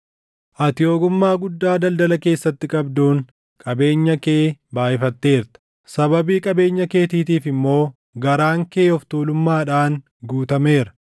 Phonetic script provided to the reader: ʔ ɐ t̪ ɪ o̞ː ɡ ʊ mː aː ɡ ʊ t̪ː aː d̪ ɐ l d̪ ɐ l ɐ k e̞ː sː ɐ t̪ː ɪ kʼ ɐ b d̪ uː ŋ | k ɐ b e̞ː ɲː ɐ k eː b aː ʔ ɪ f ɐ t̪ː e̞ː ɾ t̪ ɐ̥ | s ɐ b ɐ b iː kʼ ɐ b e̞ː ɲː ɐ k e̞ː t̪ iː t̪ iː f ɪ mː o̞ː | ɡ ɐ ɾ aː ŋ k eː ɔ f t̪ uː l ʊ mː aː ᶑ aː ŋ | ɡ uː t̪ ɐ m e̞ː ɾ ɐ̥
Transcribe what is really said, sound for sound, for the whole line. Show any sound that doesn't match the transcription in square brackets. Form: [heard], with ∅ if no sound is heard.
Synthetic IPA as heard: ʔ ɐ t̪ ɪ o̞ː ɡ ʊ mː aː ɡ ʊ [d̪ː] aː d̪ ɐ l d̪ ɐ l ɐ k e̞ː sː ɐ t̪ː ɪ kʼ ɐ b d̪ uː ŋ | [kʼ] ɐ b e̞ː ɲː ɐ k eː b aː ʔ ɪ f ɐ t̪ː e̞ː ɾ t̪ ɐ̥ | s ɐ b ɐ b iː kʼ ɐ b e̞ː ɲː ɐ k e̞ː t̪ iː t̪ iː f ɪ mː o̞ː | ɡ ɐ ɾ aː ŋ k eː ɔ f t̪ uː l ʊ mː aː ᶑ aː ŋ | ɡ uː t̪ ɐ m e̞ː ɾ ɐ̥